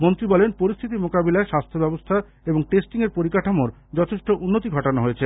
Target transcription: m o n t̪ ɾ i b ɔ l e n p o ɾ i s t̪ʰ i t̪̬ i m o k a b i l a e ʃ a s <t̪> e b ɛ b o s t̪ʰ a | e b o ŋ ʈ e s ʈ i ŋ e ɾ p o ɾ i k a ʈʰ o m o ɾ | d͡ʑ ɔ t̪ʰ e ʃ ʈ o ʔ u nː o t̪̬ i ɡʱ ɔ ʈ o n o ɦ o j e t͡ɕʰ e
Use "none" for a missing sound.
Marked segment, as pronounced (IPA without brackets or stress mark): t̪ʰ